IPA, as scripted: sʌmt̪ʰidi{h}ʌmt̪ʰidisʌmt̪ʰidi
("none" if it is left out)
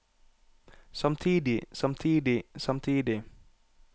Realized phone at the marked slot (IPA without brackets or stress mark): s